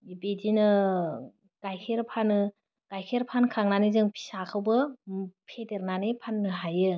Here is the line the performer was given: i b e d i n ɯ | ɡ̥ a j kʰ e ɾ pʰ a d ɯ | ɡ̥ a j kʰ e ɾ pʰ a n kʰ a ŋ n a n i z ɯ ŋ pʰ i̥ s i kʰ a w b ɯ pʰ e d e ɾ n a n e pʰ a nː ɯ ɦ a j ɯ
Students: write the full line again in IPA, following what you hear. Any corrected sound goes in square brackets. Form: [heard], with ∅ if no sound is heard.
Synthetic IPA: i b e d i n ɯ | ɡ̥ a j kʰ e ɾ pʰ a [n] ɯ | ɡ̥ a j kʰ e ɾ pʰ a n kʰ a ŋ n a n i z ɯ ŋ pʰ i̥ s [a] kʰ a w b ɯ pʰ e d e ɾ n a n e pʰ a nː ɯ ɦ a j ɯ